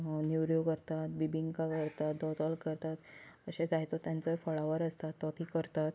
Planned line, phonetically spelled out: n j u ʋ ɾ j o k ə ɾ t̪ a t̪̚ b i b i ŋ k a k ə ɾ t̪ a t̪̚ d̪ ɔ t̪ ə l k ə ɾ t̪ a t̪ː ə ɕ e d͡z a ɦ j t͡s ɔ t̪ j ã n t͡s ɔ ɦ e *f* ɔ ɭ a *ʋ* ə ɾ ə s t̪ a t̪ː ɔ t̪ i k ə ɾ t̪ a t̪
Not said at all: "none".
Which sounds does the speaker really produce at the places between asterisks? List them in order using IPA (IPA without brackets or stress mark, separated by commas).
f, ʋ